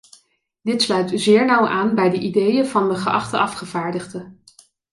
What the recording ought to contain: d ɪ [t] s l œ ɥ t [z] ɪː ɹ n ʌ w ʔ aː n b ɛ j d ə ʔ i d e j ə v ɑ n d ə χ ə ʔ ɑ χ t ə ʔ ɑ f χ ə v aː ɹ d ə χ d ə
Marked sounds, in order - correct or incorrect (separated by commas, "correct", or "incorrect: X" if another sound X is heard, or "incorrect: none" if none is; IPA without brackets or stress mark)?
correct, correct